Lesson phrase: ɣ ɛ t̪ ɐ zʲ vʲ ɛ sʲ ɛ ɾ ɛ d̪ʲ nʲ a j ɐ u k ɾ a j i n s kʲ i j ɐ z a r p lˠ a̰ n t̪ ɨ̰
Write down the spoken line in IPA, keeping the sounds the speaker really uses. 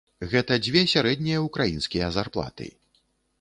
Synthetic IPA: ɣ ɛ t̪ ɐ d͡zʲ vʲ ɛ sʲ a ɾ ɛ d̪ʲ nʲ i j ɐ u k ɾ a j i n s kʲ i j ɐ z a r p lˠ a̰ t̪ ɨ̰